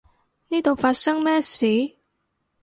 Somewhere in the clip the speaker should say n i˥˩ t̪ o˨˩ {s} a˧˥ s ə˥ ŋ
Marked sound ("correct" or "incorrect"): incorrect